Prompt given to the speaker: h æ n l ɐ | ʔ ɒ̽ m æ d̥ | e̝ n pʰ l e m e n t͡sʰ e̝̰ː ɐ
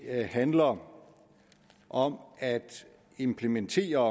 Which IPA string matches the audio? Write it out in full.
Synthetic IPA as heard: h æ n l ɐ | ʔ ɒ̽ m æ d̥ | e̝ m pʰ l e m e n t͡sʰ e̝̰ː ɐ